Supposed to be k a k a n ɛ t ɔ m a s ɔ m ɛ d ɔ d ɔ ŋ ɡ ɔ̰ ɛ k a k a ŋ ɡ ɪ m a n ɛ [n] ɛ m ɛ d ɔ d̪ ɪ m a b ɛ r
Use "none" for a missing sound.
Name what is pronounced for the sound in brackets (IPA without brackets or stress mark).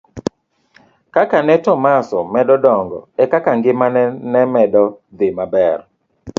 n